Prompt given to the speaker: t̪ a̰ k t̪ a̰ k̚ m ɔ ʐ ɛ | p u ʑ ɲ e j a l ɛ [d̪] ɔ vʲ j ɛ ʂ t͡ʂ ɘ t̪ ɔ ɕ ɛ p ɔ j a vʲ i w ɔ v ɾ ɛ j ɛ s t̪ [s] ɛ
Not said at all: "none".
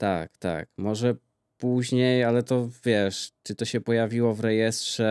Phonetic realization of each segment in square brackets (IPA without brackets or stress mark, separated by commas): t̪, ʂ